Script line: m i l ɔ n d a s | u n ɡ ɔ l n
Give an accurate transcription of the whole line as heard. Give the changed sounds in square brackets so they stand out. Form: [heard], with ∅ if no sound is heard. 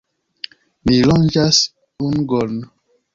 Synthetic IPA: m i l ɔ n [d͡ʒ] a s | u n ɡ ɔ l n